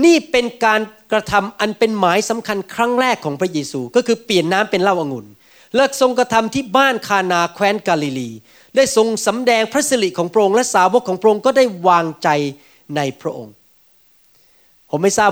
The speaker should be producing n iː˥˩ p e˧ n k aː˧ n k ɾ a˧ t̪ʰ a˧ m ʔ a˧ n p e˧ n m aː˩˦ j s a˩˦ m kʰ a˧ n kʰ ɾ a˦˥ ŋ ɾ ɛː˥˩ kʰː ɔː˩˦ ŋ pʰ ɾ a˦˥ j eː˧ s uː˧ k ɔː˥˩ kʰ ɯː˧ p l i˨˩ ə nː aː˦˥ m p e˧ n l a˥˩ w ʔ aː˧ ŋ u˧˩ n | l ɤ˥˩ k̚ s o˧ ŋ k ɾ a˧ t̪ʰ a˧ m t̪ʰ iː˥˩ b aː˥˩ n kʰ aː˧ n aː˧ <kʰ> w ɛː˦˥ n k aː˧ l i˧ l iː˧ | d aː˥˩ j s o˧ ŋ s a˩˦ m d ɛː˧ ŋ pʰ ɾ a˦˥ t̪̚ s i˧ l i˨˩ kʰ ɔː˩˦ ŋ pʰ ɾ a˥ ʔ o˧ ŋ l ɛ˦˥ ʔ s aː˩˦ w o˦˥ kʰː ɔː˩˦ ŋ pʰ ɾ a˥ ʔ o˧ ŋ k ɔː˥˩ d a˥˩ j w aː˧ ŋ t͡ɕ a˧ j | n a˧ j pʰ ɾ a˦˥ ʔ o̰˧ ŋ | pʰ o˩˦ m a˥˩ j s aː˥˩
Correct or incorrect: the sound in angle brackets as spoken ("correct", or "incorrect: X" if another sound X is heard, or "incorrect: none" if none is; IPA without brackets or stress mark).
correct